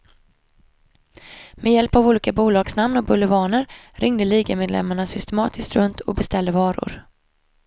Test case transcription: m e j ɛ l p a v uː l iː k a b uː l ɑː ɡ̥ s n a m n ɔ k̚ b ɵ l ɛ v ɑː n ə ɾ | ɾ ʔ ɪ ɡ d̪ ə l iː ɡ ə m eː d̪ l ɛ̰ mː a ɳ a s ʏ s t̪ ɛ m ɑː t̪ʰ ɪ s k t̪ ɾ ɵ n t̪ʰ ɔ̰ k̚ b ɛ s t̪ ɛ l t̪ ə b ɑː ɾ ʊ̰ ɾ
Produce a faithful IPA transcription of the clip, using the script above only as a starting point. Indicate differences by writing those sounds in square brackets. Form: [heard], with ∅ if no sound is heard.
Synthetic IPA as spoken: m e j ɛ l p a v uː l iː k a b uː l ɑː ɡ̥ s n a m n ɔ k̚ b ɵ l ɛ v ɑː n ə ɾ | ɾ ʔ ɪ [ŋ] d̪ ə l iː ɡ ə m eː d̪ l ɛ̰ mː a ɳ a s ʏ s t̪ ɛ m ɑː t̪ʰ ɪ s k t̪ ɾ ɵ n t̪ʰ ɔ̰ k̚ b ɛ s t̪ ɛ l [d̪] ə [v] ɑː ɾ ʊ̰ ɾ

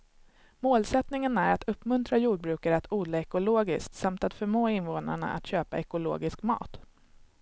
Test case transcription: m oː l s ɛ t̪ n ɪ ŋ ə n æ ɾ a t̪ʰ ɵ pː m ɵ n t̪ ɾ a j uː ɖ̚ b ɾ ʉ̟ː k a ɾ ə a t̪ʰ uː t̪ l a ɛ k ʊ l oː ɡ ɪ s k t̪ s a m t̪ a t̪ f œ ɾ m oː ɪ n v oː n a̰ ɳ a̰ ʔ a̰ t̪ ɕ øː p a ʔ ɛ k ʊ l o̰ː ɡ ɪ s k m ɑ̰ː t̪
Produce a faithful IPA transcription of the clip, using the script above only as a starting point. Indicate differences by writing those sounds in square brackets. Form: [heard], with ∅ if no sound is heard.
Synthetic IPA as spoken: m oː l s ɛ t̪ n ɪ ŋ ə n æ ɾ a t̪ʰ ɵ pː m ɵ n t̪ ɾ a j uː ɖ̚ b ɾ ʉ̟ː k a ɾ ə a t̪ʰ uː [d̪] l a ɛ k ʊ l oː ɡ ɪ s k t̪ s a m t̪ a t̪ f œ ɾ m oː ɪ n v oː n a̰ ɳ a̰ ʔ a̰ t̪ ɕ øː p a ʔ ɛ k ʊ l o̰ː ɡ ɪ s k m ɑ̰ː t̪

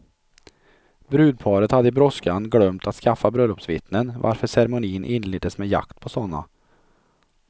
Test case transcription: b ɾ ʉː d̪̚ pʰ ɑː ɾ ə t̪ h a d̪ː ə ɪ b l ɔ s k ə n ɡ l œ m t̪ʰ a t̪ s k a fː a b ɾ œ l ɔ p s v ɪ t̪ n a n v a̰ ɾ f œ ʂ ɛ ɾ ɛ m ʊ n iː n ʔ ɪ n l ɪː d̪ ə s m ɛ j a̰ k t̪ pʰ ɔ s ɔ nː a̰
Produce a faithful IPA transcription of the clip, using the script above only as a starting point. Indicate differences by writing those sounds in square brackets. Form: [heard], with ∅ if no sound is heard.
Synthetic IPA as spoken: b ɾ ʉː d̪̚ pʰ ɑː ɾ ə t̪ h a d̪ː ə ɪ b [ɾ] ɔ s k [a] n ɡ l œ m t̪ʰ a t̪ s k a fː a b ɾ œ l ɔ p s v ɪ t̪ n [ə] n v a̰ ɾ f œ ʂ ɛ ɾ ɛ m ʊ n iː n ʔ ɪ n l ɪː d̪ ə s m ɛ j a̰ k t̪ pʰ ɔ s ɔ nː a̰

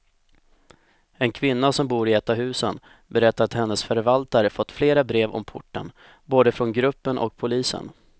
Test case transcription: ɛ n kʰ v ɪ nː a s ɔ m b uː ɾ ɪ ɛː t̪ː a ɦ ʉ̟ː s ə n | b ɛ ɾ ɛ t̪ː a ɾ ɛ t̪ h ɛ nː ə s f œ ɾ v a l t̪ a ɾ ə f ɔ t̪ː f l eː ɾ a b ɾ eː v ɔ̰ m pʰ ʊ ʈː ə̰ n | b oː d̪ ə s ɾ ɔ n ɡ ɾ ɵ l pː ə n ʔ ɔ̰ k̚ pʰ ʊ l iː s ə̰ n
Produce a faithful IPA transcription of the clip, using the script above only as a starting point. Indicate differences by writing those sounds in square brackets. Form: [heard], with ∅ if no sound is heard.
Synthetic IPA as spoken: ɛ n kʰ v ɪ nː a s ɔ m b uː ɾ ɪ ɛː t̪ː a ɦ ʉ̟ː s ə n | b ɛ ɾ ɛ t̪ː a ɾ [a] t̪ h ɛ nː ə s f œ ɾ v a l t̪ a ɾ ə f ɔ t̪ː f l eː ɾ a b ɾ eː v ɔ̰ m pʰ ʊ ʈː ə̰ n | b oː d̪ ə [f] ɾ ɔ n ɡ ɾ ɵ [∅] pː ə n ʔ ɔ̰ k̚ pʰ ʊ l iː s ə̰ n

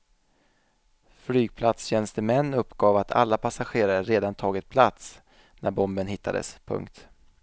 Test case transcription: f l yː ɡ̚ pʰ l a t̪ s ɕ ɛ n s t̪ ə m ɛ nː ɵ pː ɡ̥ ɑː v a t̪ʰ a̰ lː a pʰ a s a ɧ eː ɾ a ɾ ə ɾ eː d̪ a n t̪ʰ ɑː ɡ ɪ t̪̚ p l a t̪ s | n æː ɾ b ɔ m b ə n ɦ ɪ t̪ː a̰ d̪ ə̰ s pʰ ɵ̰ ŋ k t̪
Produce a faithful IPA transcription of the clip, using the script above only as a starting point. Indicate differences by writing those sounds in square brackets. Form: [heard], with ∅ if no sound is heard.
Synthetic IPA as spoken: f l yː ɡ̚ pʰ l a t̪ s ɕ ɛ n s t̪ ə m ɛ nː ɵ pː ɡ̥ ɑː v a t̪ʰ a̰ lː a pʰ a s a ɧ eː ɾ a ɾ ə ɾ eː d̪ a n t̪ʰ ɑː ɡ ɪ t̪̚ [pʰ] l a t̪ s | n [æ] ɾ b ɔ m b ə n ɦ ɪ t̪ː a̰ d̪ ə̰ s pʰ ɵ̰ ŋ k t̪

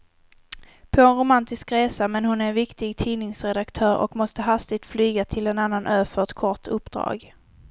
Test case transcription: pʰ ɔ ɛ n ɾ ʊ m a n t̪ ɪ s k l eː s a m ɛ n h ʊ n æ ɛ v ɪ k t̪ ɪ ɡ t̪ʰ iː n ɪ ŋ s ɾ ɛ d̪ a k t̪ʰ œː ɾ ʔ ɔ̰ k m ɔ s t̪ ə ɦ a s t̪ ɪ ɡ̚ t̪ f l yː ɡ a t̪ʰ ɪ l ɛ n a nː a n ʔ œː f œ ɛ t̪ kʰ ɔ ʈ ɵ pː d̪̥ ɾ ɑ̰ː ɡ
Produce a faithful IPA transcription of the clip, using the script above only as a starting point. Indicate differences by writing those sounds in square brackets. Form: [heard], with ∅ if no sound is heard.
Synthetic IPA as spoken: pʰ ɔ ɛ n ɾ ʊ m a n t̪ ɪ s k [ɾ] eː s a m ɛ n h ʊ n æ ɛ v ɪ k t̪ ɪ ɡ t̪ʰ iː n ɪ ŋ s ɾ ɛ d̪ a k t̪ʰ œː ɾ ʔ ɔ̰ k m ɔ s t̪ ə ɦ a s t̪ ɪ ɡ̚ t̪ f l yː ɡ a t̪ʰ ɪ l ɛ n a nː a n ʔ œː f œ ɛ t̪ kʰ ɔ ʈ ɵ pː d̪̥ ɾ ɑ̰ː ɡ

